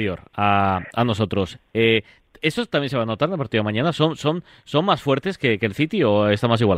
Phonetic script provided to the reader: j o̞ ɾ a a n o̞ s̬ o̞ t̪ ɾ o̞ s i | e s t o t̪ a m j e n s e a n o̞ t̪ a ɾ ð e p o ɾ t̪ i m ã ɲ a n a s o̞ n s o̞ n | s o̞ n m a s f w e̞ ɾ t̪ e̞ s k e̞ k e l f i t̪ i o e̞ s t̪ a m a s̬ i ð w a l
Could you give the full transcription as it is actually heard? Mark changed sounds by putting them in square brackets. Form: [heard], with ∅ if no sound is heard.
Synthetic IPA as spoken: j o̞ ɾ a a n o̞ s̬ o̞ t̪ ɾ o̞ s [e] | e s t o t̪ a m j e n s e a n o̞ t̪ a ɾ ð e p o ɾ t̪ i m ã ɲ a n a s o̞ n s o̞ n | s o̞ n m a s f w e̞ ɾ t̪ e̞ s k e̞ k e l [θ] i t̪ i o e̞ s t̪ a m a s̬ i [ɣ] w a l